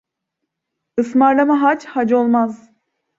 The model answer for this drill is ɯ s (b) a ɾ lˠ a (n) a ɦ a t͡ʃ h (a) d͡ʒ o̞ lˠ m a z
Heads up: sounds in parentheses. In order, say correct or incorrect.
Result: incorrect: m, incorrect: m, correct

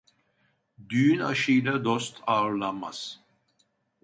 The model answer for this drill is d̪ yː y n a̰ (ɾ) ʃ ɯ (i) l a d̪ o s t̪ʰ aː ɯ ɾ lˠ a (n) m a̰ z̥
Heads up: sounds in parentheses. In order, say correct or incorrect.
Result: incorrect: none, incorrect: j, correct

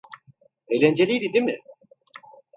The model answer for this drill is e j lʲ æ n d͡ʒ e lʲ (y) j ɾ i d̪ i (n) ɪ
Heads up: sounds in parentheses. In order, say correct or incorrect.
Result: incorrect: i, incorrect: m

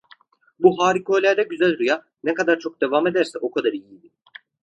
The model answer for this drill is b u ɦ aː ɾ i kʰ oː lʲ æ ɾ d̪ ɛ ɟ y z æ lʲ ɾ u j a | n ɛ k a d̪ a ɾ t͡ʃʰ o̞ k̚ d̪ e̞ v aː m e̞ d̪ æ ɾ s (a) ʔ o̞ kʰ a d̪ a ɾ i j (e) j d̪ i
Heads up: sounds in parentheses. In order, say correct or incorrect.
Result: incorrect: ɛ, incorrect: i

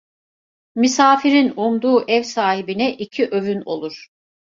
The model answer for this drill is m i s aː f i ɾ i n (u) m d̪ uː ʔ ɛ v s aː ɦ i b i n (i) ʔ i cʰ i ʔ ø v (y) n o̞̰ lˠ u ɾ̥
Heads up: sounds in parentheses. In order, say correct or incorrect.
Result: correct, incorrect: ɛ, correct

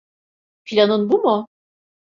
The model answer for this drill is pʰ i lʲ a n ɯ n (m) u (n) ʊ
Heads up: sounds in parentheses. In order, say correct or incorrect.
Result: incorrect: b, incorrect: m

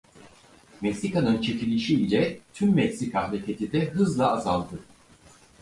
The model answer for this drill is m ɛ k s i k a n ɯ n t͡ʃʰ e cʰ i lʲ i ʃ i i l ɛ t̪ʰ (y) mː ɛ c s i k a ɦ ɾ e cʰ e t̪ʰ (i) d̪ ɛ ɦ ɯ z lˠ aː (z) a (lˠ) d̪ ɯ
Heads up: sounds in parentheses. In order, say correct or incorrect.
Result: correct, correct, correct, correct

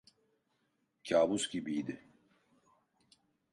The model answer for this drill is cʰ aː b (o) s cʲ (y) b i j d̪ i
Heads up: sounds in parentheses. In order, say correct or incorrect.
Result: incorrect: u, incorrect: i

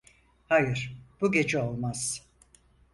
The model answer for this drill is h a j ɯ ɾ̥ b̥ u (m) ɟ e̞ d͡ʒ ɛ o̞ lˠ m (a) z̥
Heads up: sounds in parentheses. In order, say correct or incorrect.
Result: incorrect: none, correct

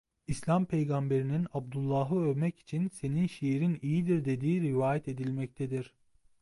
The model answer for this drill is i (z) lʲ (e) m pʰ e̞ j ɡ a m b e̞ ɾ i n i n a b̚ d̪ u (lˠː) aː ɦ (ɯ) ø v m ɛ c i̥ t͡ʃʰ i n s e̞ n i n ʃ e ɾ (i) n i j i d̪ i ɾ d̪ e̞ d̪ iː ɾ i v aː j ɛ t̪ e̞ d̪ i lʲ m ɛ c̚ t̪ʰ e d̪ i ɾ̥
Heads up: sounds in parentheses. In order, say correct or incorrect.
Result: incorrect: s, incorrect: a, correct, correct, correct

